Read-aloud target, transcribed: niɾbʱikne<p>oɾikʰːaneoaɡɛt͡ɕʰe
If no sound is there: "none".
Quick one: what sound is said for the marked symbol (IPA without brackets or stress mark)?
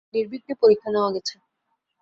p